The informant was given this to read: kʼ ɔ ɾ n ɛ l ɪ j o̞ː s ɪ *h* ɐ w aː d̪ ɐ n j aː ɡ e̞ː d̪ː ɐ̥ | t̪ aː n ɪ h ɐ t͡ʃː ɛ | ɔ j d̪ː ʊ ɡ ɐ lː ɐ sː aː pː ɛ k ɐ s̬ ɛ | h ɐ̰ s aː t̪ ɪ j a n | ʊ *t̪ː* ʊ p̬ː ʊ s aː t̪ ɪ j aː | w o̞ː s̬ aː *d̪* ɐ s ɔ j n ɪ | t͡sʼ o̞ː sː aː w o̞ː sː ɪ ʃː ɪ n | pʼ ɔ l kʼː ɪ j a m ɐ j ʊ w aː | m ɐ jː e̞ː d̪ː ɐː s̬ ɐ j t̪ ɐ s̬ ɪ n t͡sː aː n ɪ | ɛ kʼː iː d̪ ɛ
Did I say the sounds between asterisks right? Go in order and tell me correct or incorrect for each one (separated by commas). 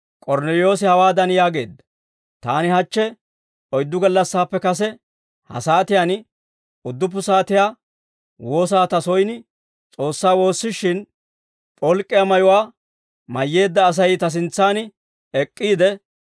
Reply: correct, incorrect, incorrect